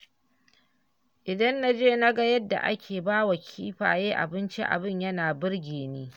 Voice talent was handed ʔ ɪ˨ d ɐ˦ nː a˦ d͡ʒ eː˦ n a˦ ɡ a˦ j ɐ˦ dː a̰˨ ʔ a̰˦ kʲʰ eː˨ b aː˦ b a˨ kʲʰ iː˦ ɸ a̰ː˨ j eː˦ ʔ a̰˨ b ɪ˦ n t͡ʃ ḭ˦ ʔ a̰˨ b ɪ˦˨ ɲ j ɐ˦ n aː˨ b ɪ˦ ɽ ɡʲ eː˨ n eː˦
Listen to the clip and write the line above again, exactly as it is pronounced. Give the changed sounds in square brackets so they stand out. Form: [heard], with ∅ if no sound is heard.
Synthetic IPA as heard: ʔ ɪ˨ d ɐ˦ nː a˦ d͡ʒ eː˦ n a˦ ɡ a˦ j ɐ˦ dː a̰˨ ʔ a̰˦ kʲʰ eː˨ b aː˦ [w] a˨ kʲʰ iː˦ ɸ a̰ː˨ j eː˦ ʔ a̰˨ b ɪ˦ n t͡ʃ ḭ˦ ʔ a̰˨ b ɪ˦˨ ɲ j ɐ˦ n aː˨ b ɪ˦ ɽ ɡʲ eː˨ n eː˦